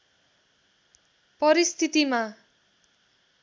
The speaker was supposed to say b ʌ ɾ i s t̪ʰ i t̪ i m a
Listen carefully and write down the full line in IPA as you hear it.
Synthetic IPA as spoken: p ʌ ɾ i s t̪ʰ i t̪ i m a